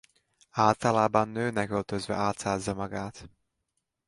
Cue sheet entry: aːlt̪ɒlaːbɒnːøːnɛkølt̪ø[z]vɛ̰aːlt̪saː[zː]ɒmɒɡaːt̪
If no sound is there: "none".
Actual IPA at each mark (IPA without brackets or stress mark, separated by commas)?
z, zː